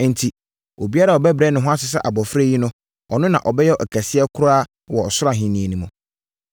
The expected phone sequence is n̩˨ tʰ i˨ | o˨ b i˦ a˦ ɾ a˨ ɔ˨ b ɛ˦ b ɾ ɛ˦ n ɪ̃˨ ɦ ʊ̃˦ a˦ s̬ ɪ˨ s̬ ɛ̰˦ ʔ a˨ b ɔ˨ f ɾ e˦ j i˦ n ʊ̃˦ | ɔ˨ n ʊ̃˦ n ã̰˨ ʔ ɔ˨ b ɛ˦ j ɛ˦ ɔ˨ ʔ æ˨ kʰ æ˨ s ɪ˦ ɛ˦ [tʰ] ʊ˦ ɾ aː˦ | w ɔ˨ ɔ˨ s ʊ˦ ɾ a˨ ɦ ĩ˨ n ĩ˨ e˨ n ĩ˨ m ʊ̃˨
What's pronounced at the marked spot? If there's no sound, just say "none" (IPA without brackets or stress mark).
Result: kʰ